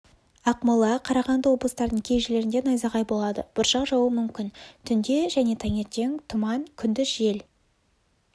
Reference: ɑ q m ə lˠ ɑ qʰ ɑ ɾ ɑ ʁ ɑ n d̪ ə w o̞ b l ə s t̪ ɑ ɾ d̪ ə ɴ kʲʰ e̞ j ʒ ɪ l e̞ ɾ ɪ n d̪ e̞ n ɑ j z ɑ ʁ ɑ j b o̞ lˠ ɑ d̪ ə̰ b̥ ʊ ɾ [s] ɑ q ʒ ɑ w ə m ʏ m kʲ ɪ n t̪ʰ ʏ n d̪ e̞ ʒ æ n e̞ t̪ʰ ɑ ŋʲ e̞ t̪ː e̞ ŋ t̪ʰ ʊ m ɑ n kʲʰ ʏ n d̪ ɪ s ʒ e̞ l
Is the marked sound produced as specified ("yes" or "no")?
no